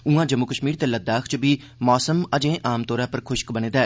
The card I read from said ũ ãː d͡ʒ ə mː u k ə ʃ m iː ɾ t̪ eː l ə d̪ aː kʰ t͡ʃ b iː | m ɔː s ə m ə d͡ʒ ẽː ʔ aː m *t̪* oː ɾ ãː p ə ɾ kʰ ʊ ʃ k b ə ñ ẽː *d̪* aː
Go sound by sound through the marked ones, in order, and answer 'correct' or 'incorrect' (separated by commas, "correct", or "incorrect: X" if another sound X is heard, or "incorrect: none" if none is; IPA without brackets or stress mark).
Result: correct, correct